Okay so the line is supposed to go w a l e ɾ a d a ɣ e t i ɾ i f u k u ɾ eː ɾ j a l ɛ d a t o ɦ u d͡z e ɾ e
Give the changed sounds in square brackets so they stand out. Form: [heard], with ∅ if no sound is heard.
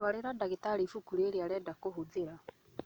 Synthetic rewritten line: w a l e ɾ a d a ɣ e t [a] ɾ i f u k u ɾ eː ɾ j a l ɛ d a [k] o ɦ u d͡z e ɾ [a]

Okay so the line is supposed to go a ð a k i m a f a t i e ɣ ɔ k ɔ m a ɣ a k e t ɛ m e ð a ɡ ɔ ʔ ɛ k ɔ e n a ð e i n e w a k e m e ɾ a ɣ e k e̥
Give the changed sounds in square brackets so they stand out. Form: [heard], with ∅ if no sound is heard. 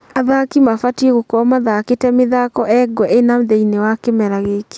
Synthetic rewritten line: a ð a k i m a f a t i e ɣ [o] k ɔ m a [ð] a k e t ɛ m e ð a [k] ɔ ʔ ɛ [ɡ] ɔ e n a ð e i n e w a k e m [ɛ] ɾ a ɣ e k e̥

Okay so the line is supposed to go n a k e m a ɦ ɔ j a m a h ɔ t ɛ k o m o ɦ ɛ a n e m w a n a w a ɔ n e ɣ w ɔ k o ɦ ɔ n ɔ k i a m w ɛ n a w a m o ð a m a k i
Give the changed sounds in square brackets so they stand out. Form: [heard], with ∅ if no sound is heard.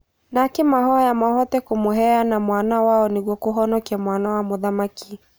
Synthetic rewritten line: n a k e m a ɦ ɔ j a m a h ɔ t ɛ k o m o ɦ ɛ a n [a] m w a n a w a ɔ n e ɣ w ɔ k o ɦ ɔ n ɔ k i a m w [a] n a w a m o ð a m a k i

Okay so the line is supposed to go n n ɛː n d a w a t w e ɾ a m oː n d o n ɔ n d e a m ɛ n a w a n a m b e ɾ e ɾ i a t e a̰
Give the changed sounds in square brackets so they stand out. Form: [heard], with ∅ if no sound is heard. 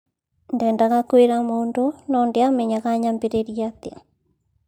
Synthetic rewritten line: n [d] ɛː n d a [ɣ] a [k] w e ɾ a m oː n d o n ɔ n d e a m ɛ [ɲ] a [ɣ] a [ɲ] a m b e ɾ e ɾ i a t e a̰

